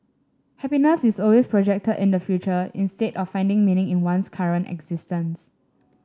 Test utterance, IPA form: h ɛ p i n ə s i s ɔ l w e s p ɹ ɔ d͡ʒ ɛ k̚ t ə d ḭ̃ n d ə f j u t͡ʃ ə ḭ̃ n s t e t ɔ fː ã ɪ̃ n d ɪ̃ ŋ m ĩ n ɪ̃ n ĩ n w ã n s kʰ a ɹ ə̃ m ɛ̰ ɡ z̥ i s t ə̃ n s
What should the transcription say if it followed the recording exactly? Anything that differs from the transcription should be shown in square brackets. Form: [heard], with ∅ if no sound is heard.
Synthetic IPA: h ɛ p i n ə s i s ɔ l w e s p ɹ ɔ d͡ʒ ɛ k̚ t ə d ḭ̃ n d ə f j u t͡ʃ ə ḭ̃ n s t e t ɔ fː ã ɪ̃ n d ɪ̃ ŋ m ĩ n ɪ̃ [ŋ] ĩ n w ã n s kʰ a ɹ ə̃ [n] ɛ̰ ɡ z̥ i s t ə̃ n s